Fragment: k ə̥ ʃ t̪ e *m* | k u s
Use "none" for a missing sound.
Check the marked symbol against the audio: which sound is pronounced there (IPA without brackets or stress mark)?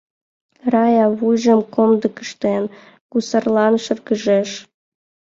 n